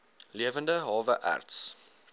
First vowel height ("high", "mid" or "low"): high